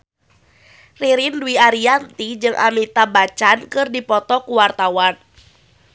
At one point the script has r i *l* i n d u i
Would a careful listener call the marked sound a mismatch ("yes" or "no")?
yes